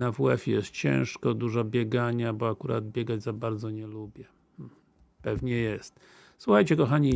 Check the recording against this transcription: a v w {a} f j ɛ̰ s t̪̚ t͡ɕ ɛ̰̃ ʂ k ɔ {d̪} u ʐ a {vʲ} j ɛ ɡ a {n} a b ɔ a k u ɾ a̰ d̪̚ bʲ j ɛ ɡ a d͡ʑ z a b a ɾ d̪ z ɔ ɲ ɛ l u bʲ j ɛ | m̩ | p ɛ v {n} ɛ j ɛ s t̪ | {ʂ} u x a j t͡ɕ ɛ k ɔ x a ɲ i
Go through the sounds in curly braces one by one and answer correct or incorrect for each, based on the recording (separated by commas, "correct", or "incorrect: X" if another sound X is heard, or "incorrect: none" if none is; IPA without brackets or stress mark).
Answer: incorrect: ɛ, correct, incorrect: bʲ, incorrect: ɲ, incorrect: ɲ, incorrect: s